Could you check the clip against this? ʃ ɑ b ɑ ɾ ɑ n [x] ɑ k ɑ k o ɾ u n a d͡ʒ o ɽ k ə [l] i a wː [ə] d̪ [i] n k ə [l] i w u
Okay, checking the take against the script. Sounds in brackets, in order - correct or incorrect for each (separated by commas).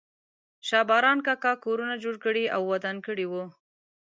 incorrect, incorrect, incorrect, incorrect, incorrect